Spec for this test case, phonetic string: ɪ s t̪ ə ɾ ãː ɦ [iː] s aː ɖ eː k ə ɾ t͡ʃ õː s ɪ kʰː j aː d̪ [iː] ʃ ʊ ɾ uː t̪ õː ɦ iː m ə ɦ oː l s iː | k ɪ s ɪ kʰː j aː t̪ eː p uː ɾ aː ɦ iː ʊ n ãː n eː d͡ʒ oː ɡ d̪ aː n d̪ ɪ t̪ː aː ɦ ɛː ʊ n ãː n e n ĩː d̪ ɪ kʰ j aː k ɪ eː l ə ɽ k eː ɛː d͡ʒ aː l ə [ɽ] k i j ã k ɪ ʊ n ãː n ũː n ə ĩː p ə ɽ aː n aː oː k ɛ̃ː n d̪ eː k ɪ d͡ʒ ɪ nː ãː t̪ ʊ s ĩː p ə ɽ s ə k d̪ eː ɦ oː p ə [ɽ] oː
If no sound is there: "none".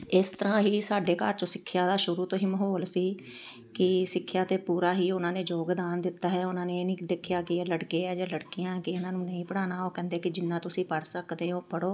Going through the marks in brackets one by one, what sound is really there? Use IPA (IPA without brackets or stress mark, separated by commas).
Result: iː, aː, ɽ, ɽ